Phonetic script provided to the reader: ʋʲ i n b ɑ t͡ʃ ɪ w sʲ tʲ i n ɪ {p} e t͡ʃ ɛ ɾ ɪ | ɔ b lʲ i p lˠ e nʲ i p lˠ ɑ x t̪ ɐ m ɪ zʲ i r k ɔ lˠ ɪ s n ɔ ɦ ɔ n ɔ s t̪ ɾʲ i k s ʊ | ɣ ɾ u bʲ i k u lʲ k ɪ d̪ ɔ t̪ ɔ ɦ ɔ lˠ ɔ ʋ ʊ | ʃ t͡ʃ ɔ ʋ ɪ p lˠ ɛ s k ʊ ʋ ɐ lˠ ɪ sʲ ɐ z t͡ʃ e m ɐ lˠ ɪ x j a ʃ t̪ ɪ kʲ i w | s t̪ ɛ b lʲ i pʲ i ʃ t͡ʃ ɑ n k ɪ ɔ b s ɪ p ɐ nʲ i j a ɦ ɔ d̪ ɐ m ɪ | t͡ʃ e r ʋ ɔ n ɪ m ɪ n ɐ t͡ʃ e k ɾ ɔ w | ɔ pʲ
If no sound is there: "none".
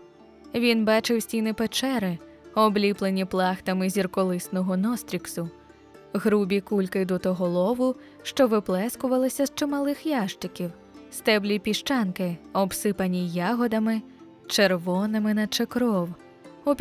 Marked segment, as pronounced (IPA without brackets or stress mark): p